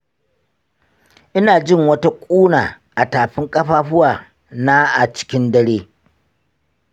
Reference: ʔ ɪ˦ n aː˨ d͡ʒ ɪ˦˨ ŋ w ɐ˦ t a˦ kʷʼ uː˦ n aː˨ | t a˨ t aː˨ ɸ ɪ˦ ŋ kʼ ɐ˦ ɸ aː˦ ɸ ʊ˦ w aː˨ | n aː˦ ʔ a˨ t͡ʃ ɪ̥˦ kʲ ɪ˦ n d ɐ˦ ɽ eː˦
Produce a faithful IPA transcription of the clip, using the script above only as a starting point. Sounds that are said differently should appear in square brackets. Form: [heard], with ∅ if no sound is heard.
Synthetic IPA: ʔ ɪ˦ n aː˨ d͡ʒ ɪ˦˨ ŋ w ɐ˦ t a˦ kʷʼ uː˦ n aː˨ | [ʔ] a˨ t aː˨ ɸ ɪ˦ ŋ kʼ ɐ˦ ɸ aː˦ ɸ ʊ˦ w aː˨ | n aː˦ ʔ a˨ t͡ʃ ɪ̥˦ kʲ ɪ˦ n d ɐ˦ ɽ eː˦